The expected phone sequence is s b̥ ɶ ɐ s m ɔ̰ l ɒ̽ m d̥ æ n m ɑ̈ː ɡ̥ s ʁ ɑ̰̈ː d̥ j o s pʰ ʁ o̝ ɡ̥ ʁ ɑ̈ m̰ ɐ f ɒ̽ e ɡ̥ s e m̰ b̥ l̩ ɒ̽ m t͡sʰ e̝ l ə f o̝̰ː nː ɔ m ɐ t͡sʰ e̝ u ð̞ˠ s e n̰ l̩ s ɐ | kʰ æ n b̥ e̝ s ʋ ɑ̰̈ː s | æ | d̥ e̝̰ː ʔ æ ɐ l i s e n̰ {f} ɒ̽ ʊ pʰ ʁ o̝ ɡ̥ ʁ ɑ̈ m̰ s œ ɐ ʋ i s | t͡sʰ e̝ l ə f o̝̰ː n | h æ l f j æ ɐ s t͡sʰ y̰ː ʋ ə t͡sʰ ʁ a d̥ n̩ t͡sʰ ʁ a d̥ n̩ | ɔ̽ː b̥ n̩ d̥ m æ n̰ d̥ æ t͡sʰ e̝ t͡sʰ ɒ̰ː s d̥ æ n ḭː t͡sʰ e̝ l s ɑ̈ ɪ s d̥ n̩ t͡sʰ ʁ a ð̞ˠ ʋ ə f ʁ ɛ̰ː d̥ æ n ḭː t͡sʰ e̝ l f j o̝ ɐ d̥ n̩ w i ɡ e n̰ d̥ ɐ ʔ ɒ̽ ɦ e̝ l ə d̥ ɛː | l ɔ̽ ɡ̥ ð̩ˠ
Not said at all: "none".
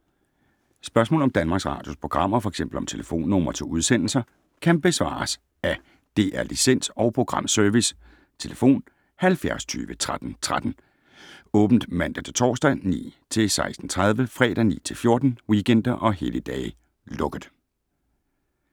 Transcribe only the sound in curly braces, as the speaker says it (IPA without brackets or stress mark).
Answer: s